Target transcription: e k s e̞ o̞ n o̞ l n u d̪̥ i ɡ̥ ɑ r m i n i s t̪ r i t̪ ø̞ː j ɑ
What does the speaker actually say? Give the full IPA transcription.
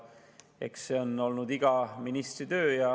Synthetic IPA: e k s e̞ o̞ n o̞ l n u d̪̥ i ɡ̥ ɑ m i n i s t̪ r i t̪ ø̞ː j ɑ